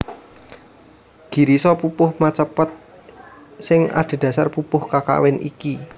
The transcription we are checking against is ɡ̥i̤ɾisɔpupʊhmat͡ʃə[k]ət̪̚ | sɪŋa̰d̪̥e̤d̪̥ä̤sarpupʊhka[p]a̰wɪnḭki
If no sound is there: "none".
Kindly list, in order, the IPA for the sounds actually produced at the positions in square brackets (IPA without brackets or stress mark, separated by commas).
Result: p, k